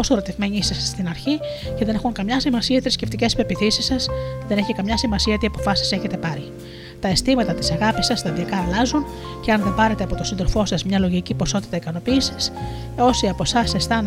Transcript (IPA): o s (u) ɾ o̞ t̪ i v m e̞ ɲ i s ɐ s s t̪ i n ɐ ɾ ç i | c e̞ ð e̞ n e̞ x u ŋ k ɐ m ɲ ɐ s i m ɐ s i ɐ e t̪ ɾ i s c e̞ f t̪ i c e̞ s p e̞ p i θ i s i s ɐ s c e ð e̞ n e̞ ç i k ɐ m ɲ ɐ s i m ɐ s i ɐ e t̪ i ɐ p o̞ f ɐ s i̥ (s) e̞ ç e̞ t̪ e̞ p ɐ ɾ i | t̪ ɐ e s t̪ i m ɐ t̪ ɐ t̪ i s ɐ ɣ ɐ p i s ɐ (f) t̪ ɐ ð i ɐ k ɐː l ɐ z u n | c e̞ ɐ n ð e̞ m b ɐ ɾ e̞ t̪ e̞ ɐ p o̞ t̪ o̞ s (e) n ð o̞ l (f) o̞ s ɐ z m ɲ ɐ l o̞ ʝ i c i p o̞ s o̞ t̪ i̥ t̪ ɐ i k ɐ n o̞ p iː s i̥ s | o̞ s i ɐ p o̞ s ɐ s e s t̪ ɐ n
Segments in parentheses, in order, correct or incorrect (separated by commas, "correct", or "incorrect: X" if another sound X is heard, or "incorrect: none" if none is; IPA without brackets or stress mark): incorrect: o, correct, incorrect: s, incorrect: i, correct